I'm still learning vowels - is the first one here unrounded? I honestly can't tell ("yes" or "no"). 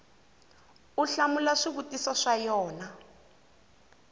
no